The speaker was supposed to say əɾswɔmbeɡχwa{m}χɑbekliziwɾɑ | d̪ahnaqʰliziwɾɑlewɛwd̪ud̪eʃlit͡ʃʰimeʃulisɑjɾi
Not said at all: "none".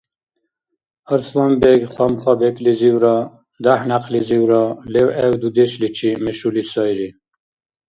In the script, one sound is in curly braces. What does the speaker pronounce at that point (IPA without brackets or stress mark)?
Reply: m